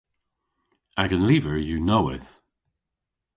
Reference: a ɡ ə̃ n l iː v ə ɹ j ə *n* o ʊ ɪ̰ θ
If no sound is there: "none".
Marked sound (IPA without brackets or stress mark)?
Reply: n